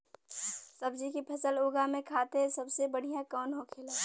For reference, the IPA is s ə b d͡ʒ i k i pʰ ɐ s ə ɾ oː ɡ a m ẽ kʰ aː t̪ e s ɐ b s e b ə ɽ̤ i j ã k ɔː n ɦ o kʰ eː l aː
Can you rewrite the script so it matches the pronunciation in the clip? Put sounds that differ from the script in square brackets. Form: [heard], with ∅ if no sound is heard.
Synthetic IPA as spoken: s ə b d͡ʒ i k i pʰ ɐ s ə [l] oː ɡ a m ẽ kʰ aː t̪ e s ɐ b s e b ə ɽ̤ i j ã k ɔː n ɦ o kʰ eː l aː

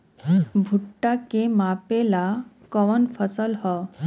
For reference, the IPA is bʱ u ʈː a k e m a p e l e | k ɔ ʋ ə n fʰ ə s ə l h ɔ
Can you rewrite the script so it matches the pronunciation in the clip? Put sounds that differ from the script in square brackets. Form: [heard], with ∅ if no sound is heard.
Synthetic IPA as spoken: bʱ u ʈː a k e m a p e l [a] | k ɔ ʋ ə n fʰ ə s ə l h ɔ

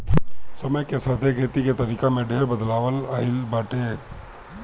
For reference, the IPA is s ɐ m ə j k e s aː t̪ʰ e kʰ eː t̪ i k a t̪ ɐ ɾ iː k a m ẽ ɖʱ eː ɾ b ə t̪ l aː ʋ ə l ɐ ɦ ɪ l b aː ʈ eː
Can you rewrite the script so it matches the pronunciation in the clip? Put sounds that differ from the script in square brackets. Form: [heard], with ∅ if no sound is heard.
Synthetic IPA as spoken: s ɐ m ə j k e s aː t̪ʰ e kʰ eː t̪ i k [e] t̪ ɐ ɾ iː k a m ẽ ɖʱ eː ɾ b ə [d̪] l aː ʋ ə l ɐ ɦ ɪ l b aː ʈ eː

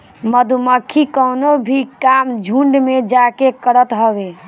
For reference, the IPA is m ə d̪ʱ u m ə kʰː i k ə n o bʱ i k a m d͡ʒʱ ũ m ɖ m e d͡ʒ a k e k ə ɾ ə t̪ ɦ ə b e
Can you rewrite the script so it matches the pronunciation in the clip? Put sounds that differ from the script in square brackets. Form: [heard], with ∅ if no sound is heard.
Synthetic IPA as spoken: m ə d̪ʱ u m ə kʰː i k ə n o bʱ i k a m d͡ʒʱ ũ [ɳ] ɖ m e d͡ʒ a k e k ə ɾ ə t̪ ɦ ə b e

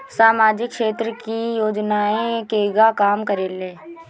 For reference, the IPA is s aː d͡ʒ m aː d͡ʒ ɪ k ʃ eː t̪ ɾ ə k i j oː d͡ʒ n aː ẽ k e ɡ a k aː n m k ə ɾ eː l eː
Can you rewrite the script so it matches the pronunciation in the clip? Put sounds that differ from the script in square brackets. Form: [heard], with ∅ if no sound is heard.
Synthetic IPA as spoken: s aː [∅] m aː d͡ʒ ɪ k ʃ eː t̪ ɾ ə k i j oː d͡ʒ n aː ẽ k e ɡ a k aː [∅] m k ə ɾ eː l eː

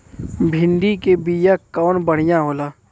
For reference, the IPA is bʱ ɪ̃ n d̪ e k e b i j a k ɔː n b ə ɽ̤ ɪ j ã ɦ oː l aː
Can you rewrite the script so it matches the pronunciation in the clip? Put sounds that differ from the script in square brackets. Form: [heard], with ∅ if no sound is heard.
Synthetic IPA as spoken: bʱ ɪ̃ n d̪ [i] k e b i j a k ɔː n b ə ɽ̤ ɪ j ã ɦ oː l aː

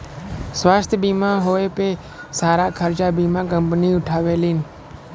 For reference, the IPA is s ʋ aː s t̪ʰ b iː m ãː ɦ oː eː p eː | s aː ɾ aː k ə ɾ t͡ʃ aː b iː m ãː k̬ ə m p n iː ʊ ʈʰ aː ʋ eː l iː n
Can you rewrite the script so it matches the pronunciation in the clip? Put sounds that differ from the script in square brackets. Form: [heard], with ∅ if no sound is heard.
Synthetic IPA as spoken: s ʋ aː s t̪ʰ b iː m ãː ɦ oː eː p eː | s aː ɾ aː [kʰ] ə ɾ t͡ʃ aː b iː m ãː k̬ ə m p n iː ʊ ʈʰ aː ʋ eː l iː n

